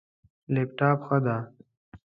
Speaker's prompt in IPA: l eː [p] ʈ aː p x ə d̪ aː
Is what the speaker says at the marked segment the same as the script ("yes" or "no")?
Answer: yes